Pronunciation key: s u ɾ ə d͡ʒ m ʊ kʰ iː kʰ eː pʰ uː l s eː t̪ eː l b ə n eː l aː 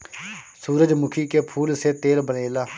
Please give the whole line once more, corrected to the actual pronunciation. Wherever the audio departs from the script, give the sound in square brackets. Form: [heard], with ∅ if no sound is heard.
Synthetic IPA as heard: s [uː] ɾ ə d͡ʒ m ʊ kʰ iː [k] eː pʰ uː l s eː t̪ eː l b ə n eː l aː